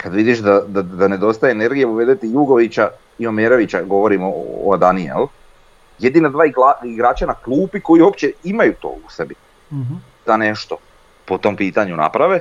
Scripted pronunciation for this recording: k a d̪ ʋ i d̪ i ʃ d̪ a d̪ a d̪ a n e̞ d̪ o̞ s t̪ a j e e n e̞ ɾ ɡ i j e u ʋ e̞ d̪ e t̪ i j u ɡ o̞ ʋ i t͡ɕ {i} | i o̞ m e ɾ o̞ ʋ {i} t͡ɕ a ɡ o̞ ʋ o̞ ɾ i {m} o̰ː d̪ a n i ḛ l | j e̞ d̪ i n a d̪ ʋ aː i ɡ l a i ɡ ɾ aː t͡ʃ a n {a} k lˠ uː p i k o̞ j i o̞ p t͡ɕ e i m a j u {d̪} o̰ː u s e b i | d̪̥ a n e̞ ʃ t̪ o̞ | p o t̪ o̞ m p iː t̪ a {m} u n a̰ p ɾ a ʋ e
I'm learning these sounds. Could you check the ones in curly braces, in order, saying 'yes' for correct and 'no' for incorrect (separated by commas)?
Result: no, yes, yes, yes, no, no